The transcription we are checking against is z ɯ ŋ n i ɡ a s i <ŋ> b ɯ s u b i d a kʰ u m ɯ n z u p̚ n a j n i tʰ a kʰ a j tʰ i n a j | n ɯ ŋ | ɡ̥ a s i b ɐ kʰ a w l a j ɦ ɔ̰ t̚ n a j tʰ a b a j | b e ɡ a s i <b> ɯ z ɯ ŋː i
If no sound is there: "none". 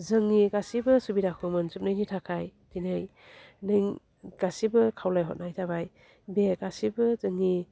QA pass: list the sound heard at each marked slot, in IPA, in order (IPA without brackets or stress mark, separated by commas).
none, b